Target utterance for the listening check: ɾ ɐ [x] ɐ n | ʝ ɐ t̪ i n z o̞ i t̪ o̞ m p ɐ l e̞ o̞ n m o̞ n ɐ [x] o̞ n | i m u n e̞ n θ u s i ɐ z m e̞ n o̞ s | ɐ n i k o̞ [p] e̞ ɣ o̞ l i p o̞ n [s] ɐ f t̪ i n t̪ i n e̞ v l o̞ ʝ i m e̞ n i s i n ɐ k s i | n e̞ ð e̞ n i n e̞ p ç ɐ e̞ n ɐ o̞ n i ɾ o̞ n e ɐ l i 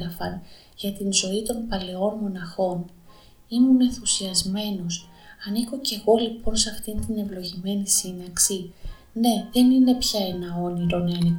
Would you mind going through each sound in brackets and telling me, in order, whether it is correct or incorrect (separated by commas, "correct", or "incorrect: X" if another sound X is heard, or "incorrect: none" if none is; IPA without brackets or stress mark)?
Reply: incorrect: f, correct, incorrect: c, correct